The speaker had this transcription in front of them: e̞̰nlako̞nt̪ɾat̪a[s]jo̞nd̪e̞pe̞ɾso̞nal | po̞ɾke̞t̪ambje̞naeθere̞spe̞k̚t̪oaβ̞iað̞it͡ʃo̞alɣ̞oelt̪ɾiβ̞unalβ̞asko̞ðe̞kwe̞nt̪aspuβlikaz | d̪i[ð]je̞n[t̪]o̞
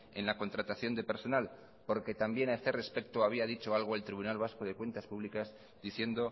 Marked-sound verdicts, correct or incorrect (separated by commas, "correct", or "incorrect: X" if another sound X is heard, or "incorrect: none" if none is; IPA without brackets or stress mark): incorrect: θ, incorrect: θ, incorrect: d̪